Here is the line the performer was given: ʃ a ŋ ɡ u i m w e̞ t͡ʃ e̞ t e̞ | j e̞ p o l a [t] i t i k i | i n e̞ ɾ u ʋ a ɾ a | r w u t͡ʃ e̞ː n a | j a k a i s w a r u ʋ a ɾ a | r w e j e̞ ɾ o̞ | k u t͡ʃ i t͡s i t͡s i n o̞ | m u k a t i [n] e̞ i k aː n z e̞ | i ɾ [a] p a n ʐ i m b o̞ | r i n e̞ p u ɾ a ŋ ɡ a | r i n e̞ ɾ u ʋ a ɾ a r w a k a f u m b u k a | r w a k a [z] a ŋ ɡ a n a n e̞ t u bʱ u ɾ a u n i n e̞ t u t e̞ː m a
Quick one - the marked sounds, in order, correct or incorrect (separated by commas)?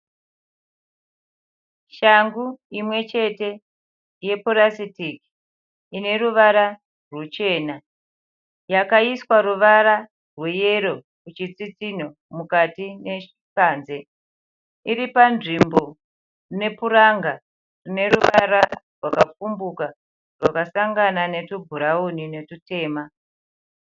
incorrect, correct, incorrect, incorrect